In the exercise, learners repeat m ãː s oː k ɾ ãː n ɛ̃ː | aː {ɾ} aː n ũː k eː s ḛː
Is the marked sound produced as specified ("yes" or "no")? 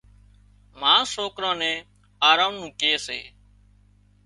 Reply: yes